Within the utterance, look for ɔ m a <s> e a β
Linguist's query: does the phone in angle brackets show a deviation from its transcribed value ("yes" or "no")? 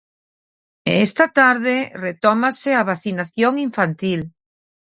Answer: no